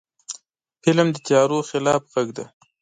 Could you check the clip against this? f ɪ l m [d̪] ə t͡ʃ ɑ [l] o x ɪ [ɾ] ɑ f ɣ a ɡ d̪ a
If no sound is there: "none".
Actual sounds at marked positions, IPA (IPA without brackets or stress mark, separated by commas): d̪, ɾ, l